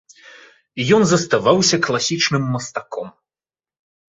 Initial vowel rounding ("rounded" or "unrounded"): rounded